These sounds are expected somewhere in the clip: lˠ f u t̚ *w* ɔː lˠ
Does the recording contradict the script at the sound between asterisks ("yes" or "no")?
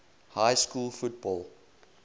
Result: yes